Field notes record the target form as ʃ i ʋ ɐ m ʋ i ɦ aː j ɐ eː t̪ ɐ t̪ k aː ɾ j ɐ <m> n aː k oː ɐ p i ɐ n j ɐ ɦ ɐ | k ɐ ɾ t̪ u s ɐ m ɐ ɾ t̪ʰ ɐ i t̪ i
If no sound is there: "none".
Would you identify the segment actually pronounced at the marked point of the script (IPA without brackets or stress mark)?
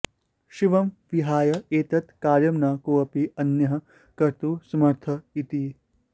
m